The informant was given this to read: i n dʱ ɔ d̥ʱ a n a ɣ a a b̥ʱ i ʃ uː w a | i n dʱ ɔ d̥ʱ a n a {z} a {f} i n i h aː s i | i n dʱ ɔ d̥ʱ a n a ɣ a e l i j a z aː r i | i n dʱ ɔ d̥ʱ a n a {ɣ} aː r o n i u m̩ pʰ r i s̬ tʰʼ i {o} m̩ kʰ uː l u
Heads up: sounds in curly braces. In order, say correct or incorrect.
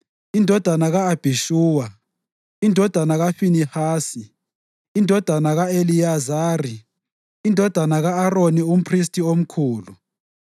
incorrect: ɣ, correct, correct, correct

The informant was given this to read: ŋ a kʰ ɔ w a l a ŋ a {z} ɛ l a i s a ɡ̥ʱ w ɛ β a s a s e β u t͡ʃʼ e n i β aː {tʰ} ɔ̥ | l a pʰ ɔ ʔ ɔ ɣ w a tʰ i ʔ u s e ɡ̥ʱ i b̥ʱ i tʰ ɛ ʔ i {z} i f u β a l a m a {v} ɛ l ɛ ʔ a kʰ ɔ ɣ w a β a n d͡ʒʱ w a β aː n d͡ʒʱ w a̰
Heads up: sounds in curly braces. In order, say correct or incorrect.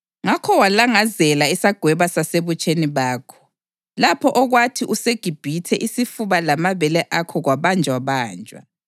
correct, incorrect: kʰ, incorrect: s, incorrect: β

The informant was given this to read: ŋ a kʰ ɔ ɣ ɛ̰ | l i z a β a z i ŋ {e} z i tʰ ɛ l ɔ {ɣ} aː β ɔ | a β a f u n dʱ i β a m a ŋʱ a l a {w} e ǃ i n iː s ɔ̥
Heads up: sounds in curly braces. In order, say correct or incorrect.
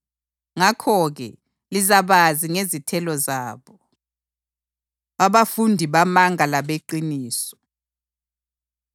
correct, incorrect: z, incorrect: β

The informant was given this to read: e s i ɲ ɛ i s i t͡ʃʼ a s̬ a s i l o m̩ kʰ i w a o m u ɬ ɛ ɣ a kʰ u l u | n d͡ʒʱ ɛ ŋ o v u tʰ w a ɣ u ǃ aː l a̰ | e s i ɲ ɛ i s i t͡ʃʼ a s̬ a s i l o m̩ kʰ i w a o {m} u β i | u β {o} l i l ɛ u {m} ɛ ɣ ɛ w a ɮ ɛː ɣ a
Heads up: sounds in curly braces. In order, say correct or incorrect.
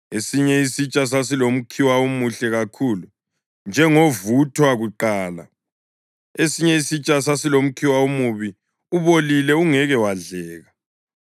correct, correct, incorrect: ŋ

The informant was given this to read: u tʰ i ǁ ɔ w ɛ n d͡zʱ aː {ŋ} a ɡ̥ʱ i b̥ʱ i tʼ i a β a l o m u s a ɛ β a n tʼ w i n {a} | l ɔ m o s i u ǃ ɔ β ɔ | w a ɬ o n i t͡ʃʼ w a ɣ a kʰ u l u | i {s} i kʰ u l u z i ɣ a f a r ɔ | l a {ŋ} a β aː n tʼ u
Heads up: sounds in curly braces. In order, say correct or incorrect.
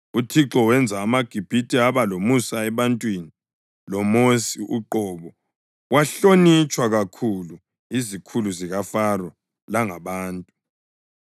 incorrect: m, incorrect: i, incorrect: z, correct

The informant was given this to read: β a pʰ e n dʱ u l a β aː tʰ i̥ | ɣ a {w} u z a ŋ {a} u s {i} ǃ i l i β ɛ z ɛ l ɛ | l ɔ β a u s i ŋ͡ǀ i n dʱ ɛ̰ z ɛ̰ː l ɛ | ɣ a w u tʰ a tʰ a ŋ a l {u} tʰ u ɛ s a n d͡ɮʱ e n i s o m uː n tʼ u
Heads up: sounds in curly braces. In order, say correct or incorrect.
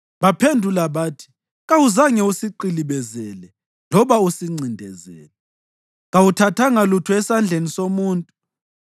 correct, incorrect: ɛ, correct, correct

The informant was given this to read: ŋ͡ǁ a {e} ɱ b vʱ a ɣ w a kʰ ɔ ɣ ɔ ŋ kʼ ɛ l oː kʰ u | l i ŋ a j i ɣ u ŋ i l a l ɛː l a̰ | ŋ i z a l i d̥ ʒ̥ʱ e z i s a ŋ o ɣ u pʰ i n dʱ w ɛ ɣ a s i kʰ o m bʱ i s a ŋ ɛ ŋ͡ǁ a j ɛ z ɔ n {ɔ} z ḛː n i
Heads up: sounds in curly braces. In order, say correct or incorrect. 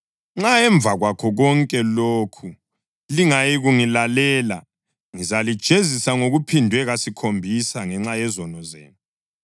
incorrect: ɛ, correct

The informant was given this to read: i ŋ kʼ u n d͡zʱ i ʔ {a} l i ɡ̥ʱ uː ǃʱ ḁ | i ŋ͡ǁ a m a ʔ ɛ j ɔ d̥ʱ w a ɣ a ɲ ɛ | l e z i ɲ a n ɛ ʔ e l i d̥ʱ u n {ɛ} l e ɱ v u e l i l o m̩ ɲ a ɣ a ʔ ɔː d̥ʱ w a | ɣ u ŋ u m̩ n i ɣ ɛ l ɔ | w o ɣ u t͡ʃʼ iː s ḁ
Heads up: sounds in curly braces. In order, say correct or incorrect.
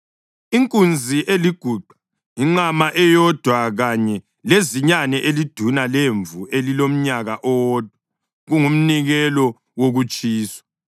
incorrect: e, incorrect: a

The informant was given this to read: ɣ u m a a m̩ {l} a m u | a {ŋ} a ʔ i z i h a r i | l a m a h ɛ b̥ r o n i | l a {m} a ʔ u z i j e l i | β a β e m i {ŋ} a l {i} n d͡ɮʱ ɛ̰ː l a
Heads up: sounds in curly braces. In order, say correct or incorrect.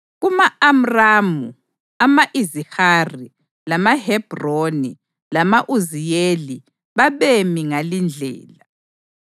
incorrect: r, incorrect: m, correct, correct, correct

